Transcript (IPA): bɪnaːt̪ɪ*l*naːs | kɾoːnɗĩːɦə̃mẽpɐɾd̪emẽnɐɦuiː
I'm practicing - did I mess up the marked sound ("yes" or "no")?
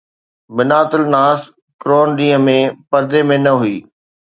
no